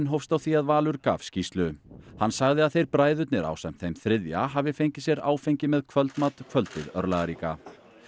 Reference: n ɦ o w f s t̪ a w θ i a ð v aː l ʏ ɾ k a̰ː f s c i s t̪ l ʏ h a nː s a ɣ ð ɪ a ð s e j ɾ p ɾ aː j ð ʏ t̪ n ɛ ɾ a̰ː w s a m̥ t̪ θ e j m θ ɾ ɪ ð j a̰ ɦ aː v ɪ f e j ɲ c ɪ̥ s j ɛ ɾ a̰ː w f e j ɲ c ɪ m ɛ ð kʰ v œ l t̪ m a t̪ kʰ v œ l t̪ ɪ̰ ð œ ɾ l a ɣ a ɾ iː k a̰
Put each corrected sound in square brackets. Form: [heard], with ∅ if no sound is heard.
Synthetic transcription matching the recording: n ɦ o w f s t̪ a w θ i a ð v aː l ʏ ɾ k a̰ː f s c i s t̪ l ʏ h a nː s a ɣ ð ɪ a ð [θ] e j ɾ p ɾ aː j ð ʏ t̪ n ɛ ɾ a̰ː w s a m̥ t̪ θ e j m θ ɾ ɪ ð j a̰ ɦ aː v ɪ f e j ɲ c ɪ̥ s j ɛ ɾ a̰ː w f e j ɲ c ɪ m ɛ ð kʰ v œ l t̪ m a t̪ kʰ v œ l t̪ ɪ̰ ð œ ɾ l a ɣ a ɾ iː k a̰

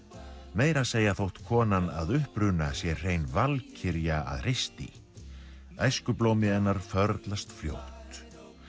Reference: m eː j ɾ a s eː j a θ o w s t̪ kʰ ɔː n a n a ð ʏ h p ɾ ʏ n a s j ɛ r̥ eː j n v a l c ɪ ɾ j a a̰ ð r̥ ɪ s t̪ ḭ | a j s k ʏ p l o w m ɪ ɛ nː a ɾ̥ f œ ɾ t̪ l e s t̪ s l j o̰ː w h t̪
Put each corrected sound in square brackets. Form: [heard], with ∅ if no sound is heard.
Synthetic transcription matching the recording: m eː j ɾ a s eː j a θ o w [h] t̪ kʰ ɔː n a n a ð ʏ h p ɾ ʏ n a s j ɛ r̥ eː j n v a l [cʰ] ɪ ɾ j a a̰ ð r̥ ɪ s t̪ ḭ | a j s k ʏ p l o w m ɪ ɛ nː a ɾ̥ f œ ɾ t̪ l [a] s t̪ [f] l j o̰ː w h t̪

